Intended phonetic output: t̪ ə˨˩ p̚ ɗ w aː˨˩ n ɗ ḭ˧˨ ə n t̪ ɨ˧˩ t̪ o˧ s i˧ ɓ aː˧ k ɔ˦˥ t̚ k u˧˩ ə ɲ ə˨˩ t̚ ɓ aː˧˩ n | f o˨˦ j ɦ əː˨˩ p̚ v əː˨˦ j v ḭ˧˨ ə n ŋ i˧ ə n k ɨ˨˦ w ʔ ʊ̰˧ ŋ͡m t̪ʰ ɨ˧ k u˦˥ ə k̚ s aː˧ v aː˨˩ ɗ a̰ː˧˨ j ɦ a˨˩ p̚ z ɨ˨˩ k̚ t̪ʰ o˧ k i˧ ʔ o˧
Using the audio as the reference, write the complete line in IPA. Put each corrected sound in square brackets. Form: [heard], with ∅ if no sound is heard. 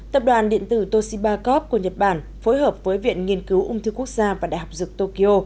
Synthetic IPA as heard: t̪ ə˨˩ p̚ ɗ w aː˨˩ n ɗ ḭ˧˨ ə n t̪ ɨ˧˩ t̪ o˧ s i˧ ɓ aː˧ k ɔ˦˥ [p̚] k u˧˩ ə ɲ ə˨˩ t̚ ɓ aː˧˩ n | f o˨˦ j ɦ əː˨˩ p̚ v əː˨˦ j v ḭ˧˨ ə n ŋ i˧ ə n k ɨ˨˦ w ʔ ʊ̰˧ ŋ͡m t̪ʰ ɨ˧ k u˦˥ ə k̚ [z] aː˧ v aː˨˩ ɗ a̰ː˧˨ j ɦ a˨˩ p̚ z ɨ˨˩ k̚ [t̪] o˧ k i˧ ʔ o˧